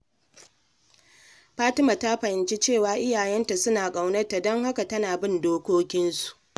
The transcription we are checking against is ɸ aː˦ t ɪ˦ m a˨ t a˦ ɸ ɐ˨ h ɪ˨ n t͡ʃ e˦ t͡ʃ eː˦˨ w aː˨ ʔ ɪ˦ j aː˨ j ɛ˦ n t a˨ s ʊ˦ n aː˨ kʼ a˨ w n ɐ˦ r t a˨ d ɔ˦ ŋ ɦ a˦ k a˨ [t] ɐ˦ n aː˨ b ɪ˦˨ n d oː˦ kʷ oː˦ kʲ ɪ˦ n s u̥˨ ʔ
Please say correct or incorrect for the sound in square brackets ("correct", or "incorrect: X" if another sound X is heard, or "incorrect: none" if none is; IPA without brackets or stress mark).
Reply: correct